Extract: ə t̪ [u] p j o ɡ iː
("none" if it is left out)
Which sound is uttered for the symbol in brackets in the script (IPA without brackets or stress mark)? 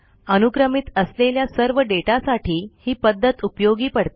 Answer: u